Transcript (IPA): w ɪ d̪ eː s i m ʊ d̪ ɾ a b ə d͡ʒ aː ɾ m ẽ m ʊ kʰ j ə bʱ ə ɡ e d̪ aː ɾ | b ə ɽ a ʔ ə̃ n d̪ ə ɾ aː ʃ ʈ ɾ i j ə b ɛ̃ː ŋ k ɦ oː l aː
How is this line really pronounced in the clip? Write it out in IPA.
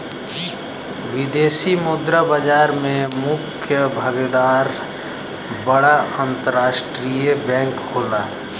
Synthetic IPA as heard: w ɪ d̪ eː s i m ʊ d̪ ɾ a b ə d͡ʒ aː ɾ m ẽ m ʊ kʰ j ə bʱ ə ɡ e d̪ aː ɾ | b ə ɽ a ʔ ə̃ n t̪ ə ɾ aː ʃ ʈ ɾ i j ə b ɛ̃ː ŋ k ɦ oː l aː